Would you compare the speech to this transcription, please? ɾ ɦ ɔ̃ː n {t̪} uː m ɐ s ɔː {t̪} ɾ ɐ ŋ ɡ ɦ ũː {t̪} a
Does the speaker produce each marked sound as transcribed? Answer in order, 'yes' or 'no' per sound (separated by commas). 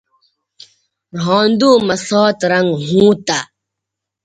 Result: no, yes, yes